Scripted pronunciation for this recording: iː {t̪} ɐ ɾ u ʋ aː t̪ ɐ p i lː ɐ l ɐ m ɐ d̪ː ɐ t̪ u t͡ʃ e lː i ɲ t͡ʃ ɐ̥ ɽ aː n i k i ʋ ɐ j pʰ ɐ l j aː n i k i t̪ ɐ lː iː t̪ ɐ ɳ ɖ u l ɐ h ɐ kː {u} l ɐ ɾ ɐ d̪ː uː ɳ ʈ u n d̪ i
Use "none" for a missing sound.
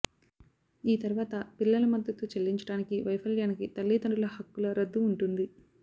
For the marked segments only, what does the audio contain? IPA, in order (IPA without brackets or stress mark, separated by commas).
t̪, u